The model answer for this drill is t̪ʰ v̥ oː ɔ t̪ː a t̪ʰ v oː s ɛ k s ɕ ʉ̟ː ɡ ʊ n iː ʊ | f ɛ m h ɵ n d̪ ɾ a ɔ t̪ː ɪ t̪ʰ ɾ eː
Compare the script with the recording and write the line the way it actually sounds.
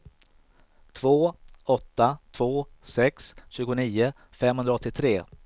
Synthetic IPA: t̪ʰ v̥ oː ɔ t̪ː a t̪ʰ v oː s ɛ k s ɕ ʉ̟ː ɡ ʊ n iː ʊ | f ɛ m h ɵ n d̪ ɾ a ɔ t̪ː ɪ t̪ʰ ɾ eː